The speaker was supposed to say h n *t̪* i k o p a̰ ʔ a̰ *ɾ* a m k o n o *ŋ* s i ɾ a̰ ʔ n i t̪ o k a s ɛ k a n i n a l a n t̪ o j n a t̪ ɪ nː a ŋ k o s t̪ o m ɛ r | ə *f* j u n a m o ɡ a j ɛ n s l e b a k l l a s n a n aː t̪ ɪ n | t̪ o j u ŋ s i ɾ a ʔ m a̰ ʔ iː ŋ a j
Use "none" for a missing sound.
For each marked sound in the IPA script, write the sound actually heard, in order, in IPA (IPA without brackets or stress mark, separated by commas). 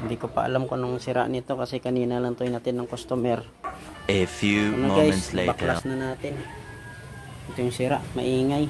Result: d̪, l, ŋ, f